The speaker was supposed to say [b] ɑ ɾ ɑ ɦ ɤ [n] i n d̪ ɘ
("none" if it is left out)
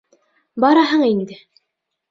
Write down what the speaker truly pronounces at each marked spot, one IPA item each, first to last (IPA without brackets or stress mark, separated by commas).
b, ɴ